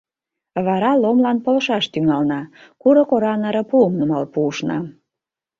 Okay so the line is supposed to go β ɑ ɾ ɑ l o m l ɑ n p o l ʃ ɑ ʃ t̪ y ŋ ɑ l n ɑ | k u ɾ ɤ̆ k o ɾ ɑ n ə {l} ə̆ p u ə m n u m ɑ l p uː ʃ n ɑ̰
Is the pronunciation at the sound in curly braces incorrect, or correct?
incorrect